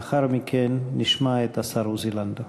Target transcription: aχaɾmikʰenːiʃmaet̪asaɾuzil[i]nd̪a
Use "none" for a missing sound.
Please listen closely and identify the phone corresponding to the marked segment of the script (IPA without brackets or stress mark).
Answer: a